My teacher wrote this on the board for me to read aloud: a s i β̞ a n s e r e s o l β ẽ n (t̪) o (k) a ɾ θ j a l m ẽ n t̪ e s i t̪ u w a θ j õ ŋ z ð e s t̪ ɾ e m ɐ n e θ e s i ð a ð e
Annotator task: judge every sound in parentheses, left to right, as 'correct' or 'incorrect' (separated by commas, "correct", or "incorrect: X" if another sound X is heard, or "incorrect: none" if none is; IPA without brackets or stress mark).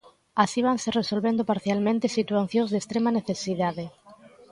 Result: incorrect: d̪, incorrect: p